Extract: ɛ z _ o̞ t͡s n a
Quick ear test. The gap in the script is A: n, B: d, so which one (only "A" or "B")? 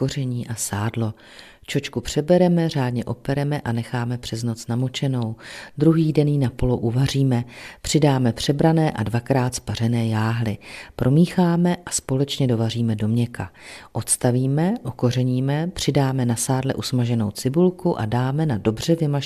A